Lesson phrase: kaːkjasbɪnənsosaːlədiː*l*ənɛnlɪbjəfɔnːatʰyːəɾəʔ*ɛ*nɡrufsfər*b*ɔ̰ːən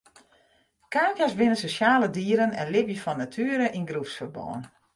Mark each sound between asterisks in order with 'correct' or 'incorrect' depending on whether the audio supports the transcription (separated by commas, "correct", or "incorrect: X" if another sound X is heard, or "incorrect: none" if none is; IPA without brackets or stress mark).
incorrect: ɾ, incorrect: i, correct